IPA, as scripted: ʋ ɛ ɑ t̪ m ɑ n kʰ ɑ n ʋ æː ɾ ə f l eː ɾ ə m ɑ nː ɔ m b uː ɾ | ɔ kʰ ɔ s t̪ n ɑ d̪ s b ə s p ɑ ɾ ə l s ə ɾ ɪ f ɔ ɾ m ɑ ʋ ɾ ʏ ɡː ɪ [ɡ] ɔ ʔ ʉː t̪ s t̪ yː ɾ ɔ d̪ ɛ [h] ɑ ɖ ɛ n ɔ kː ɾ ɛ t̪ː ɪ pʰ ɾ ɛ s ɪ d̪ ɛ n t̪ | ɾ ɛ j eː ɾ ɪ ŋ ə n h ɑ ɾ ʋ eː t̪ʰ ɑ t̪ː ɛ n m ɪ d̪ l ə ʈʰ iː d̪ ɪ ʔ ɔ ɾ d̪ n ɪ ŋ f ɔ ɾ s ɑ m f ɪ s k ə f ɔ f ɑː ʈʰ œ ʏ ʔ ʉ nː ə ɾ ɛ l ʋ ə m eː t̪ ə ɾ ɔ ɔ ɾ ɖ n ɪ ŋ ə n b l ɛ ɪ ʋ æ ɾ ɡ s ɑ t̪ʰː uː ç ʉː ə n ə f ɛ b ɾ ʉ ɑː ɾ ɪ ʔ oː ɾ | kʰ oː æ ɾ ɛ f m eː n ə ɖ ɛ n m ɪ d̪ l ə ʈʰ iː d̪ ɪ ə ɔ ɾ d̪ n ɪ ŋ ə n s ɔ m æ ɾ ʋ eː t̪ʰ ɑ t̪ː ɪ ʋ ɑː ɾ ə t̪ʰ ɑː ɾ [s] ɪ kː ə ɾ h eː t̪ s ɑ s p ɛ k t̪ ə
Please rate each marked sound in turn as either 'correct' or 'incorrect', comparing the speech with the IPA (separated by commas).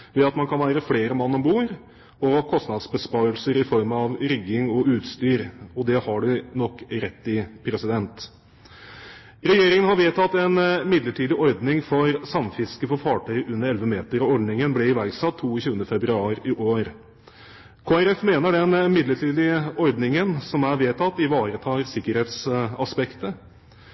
incorrect, correct, correct